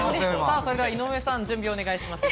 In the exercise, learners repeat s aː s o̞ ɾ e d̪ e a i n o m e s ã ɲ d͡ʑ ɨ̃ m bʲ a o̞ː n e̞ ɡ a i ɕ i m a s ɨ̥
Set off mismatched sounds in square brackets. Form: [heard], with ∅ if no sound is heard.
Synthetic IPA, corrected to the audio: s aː s o̞ ɾ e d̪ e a i n o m e s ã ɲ d͡ʑ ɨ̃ m bʲ [i] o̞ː n e̞ ɡ a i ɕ i m a s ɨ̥